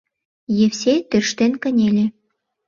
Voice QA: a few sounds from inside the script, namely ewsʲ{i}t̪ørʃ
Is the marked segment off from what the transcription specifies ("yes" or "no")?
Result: yes